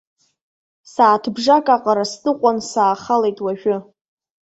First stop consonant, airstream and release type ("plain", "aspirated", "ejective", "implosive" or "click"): aspirated